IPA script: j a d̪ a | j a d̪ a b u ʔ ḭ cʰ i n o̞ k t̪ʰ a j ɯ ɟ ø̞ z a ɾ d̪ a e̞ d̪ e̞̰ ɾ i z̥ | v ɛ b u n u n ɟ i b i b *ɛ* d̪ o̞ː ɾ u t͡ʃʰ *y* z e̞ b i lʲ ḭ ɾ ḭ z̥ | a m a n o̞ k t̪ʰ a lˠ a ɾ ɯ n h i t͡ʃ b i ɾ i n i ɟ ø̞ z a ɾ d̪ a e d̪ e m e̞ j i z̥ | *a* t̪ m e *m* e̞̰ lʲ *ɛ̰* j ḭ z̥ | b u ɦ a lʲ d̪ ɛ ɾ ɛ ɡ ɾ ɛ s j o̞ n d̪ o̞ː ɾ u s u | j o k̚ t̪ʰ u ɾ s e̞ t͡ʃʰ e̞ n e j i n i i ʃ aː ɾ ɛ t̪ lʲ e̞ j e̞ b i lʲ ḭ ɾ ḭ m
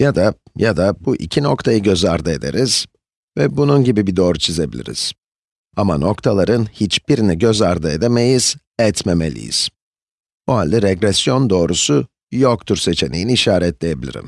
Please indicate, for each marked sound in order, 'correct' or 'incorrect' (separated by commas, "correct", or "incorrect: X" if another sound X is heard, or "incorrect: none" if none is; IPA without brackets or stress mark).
incorrect: i, incorrect: i, incorrect: ɛ, correct, incorrect: ḭ